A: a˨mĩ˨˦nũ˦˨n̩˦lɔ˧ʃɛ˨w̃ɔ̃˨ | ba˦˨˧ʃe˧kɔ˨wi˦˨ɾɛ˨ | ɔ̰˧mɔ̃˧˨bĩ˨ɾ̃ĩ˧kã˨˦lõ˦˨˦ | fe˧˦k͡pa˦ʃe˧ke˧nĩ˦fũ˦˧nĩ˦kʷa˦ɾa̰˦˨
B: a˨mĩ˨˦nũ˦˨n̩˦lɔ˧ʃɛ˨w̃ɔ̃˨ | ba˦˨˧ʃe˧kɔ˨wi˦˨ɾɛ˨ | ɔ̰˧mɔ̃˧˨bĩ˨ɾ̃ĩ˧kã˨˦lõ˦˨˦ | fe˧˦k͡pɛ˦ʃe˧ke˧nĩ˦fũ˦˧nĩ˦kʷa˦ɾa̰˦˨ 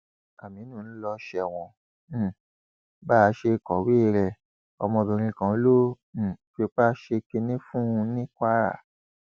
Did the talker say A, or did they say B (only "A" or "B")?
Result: A